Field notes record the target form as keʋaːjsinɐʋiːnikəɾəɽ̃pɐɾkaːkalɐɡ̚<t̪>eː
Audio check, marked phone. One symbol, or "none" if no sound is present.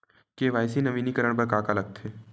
t̪ʰ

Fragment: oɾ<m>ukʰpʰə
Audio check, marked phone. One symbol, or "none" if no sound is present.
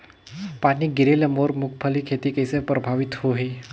m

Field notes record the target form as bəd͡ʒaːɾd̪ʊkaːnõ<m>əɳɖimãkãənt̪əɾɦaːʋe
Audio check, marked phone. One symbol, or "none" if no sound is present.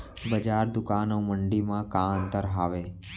m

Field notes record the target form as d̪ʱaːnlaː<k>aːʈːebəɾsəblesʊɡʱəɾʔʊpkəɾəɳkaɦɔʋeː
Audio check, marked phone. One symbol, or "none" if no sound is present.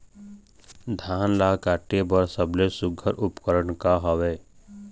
k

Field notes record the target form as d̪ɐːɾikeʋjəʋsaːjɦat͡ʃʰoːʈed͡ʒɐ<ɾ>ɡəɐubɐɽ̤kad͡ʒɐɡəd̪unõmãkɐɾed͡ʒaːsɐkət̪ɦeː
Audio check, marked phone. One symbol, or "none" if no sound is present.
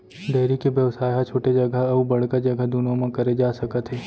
none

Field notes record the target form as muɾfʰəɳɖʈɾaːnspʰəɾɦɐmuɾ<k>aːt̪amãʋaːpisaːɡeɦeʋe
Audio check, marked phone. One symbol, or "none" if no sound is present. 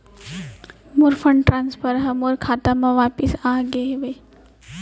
kʰ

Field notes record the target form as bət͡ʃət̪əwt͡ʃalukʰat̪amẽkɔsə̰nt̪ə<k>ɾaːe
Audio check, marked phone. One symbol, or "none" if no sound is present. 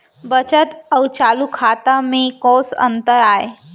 none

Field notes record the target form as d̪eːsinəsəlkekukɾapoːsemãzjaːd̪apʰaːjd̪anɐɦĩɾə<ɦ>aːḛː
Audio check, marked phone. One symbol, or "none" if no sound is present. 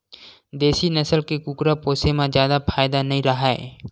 ɦ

